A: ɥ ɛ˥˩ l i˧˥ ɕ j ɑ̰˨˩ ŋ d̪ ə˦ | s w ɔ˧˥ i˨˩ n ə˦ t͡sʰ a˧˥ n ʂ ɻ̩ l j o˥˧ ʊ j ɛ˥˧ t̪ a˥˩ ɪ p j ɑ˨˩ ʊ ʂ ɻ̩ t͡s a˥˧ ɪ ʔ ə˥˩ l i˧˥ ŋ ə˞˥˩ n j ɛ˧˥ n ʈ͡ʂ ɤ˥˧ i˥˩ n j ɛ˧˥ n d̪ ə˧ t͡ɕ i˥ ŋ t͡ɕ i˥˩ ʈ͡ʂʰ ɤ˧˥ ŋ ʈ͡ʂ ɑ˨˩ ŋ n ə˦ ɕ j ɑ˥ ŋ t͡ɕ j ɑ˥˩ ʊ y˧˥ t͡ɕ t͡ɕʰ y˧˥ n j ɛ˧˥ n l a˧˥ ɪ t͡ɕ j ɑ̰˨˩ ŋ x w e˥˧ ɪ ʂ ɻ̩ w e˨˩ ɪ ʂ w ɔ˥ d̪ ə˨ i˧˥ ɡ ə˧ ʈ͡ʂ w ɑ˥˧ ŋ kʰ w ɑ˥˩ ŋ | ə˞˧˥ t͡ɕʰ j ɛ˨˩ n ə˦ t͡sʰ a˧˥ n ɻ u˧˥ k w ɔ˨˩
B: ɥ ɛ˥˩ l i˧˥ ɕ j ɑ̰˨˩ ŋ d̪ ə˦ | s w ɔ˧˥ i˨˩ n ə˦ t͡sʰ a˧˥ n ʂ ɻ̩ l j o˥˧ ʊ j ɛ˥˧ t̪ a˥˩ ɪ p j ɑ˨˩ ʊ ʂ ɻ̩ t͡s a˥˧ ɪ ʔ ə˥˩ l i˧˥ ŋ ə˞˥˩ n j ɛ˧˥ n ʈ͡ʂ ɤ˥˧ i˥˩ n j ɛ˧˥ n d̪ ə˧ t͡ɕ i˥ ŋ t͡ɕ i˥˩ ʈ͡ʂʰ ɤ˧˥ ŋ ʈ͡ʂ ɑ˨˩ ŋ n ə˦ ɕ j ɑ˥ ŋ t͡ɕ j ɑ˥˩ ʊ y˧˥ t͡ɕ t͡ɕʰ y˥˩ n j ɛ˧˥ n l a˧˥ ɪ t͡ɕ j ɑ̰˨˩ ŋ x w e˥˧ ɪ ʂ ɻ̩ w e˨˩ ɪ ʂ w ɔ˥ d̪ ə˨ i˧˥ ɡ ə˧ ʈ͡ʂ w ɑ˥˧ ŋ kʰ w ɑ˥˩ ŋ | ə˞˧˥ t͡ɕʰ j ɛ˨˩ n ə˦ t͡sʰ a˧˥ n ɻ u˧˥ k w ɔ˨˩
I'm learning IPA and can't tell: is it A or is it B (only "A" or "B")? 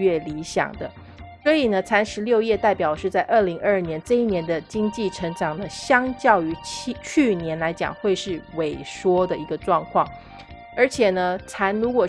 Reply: B